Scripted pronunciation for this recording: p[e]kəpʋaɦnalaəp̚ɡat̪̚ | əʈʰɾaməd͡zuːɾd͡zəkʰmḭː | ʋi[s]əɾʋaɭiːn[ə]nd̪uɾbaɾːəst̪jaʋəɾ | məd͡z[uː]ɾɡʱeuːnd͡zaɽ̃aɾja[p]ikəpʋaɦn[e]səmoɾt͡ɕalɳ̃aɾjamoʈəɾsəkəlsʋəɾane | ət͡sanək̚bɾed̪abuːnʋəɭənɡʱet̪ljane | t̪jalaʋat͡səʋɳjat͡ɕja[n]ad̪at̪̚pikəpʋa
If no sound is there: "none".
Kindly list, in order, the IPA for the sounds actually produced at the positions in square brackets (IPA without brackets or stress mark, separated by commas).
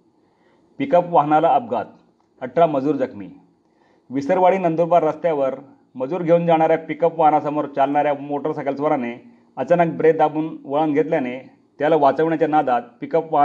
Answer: i, s, ə, uː, p, a, n